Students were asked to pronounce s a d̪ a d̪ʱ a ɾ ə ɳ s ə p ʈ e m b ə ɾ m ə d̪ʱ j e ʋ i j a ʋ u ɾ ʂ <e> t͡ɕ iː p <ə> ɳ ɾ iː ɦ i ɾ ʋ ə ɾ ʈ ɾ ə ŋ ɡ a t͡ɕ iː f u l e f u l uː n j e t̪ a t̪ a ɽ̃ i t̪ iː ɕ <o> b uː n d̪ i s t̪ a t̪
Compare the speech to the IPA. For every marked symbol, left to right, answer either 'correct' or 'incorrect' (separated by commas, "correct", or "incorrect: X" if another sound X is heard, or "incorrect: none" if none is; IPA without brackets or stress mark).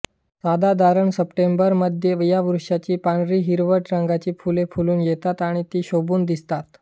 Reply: incorrect: a, incorrect: a, correct